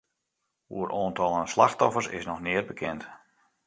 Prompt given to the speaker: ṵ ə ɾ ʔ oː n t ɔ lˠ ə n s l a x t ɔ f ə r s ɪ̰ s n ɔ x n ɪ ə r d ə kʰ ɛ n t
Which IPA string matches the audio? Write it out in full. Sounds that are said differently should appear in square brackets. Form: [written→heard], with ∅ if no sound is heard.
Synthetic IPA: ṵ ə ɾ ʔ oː n t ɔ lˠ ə n s l a x t ɔ f ə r s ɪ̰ s n ɔ x n ɪ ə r [d→b] ə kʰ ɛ n t

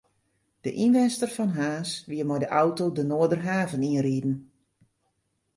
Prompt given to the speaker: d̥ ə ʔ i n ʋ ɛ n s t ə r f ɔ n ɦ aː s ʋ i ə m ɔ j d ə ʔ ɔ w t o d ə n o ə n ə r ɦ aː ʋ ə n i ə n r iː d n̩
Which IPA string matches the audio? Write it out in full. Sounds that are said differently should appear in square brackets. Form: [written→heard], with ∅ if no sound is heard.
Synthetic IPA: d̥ ə ʔ i n ʋ ɛ n s t ə r f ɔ n ɦ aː s ʋ i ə m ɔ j d ə ʔ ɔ w t o d ə n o ə [n→d] ə r ɦ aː [ʋ→v] ə n i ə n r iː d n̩

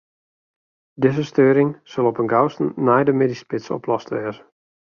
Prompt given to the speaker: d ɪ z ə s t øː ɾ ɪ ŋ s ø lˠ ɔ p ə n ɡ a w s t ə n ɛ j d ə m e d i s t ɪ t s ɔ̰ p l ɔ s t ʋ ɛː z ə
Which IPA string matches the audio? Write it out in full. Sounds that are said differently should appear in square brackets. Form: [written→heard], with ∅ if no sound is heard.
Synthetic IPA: d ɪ z ə s t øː ɾ ɪ ŋ s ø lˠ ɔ p ə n ɡ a w s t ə n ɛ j d ə m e d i s [t→p] ɪ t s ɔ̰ p l ɔ s t ʋ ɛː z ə

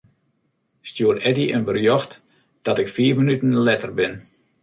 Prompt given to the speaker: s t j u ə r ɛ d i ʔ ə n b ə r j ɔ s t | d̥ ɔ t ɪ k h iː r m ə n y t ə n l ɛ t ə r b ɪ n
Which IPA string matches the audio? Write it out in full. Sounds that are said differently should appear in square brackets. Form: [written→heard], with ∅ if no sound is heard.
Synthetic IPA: s t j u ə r ɛ d i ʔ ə n b ə r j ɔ [s→x] t | d̥ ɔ t ɪ k [h→f] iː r m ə n y t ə n l ɛ t ə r b ɪ n

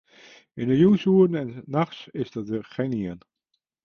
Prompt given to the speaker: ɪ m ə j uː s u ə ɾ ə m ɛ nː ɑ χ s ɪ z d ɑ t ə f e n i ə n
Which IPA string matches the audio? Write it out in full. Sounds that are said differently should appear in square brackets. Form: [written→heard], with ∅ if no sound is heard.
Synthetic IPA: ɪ [m→n] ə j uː s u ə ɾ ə [m→n] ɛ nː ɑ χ s ɪ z d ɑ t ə [f→χ] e n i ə n

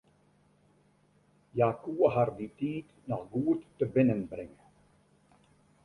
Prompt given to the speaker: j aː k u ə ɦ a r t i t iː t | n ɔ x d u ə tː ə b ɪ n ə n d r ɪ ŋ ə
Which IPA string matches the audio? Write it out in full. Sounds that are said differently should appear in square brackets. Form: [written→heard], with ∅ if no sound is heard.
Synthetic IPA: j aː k u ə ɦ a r [t→d] i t iː t | n ɔ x [d→ɡ] u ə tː ə b ɪ n ə n [d→b] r ɪ ŋ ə

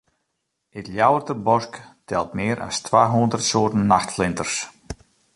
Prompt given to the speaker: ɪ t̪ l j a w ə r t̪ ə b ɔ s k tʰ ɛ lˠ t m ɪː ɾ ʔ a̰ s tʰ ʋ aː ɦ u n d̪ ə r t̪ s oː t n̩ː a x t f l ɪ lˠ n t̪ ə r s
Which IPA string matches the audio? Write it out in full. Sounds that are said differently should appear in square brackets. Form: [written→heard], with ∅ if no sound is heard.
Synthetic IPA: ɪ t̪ l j a w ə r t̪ ə b ɔ s k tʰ ɛ lˠ t m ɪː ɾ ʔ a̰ s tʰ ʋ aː ɦ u n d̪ ə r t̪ s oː t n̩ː a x t f l ɪ [lˠ→∅] n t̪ ə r s

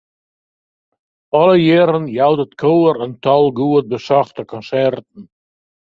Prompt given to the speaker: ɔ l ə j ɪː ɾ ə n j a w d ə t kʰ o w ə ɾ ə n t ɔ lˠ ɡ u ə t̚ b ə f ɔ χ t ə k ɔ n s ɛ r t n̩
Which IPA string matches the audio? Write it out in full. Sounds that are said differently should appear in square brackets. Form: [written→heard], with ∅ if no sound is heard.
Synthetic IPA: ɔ l ə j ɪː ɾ ə n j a w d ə t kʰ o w ə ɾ ə n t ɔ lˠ ɡ u ə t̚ b ə [f→s] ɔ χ t ə k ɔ n s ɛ r t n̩

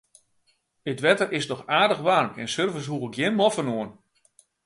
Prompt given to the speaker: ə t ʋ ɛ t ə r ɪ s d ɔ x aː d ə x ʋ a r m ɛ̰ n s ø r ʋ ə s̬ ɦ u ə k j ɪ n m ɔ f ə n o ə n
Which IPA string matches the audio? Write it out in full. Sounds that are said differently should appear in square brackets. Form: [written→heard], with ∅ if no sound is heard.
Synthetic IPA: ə t ʋ ɛ t ə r ɪ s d ɔ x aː d ə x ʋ a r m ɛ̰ n s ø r [ʋ→v] ə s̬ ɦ u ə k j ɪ n m ɔ f ə n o ə n

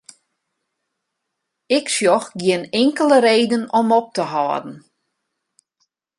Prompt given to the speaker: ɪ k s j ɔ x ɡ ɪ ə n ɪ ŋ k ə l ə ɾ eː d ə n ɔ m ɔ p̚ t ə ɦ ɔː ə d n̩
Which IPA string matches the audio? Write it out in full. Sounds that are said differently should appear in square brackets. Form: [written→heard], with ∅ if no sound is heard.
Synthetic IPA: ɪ k s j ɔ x ɡ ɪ ə n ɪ ŋ k ə l ə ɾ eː d ə n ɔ m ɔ p̚ t ə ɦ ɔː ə d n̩

